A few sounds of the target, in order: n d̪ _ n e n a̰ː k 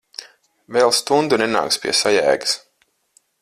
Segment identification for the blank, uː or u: u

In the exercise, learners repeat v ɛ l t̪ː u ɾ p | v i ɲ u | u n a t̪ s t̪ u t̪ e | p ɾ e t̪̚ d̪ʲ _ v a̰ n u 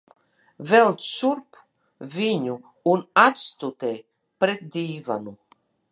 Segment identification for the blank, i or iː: iː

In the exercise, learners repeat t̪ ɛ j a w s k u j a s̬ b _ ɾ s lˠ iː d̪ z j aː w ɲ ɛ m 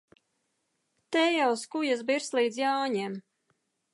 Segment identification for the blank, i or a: i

